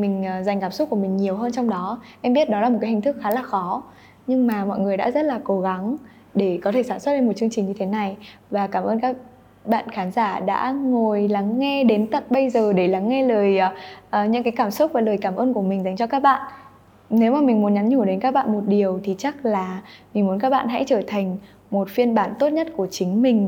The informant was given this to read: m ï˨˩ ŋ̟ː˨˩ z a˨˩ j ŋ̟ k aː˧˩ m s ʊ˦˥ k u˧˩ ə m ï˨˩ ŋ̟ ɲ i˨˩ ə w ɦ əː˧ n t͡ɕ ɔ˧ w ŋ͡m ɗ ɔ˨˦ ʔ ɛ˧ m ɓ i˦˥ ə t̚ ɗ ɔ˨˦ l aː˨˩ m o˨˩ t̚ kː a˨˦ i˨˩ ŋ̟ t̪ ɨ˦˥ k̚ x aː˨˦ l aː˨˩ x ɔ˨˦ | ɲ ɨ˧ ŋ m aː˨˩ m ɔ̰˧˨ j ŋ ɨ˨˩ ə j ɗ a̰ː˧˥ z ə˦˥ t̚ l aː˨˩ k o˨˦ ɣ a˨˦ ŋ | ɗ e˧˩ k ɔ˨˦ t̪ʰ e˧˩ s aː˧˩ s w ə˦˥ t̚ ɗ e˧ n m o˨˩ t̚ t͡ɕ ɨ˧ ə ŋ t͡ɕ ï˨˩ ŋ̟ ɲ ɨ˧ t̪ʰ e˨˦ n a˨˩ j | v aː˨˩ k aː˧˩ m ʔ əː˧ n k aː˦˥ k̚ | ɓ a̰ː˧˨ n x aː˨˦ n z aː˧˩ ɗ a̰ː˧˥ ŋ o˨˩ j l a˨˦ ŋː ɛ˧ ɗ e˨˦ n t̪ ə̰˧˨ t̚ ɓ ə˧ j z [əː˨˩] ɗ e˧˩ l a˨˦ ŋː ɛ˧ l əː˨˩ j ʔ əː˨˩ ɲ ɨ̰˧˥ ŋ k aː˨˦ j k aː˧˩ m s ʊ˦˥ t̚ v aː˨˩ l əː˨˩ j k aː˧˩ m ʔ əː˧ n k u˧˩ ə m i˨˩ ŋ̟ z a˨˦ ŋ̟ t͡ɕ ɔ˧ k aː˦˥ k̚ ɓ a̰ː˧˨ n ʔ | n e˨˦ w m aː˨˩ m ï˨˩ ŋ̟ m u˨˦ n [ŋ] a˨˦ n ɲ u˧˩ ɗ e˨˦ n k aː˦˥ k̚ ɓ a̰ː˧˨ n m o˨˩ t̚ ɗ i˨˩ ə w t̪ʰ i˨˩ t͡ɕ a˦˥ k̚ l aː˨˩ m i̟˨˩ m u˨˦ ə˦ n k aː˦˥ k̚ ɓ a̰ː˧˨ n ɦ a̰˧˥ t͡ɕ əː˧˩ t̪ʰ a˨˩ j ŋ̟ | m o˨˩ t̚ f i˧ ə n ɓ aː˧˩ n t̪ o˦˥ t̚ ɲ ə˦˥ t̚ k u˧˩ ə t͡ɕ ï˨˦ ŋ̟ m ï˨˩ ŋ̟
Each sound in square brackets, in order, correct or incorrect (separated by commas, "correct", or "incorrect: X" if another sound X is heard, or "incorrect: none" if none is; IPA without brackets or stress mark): correct, incorrect: ɲ